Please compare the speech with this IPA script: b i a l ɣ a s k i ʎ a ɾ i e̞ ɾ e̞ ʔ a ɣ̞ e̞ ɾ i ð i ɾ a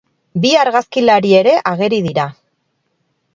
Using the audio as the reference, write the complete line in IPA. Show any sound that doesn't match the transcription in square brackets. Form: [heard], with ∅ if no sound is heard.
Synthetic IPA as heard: b i a [ɾ] ɣ a s k i [l] a ɾ i e̞ ɾ e̞ ʔ a ɣ̞ e̞ ɾ i ð i ɾ a